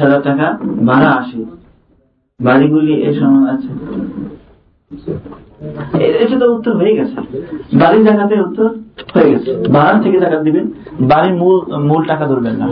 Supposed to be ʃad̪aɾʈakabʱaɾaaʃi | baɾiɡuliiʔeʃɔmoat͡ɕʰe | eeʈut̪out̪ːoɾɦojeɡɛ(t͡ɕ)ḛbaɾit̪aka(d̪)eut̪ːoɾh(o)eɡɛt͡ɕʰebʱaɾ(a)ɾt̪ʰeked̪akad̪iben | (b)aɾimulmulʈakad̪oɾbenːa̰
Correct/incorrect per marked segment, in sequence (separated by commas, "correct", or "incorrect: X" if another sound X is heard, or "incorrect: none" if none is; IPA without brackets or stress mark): incorrect: t͡ɕʰ, incorrect: t̪, correct, correct, correct